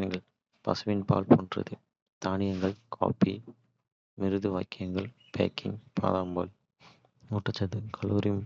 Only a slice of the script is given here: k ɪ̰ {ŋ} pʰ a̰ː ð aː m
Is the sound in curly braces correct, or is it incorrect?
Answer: correct